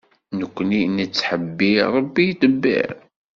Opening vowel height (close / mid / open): mid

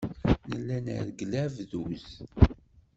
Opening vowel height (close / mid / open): mid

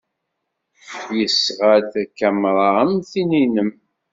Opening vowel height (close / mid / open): mid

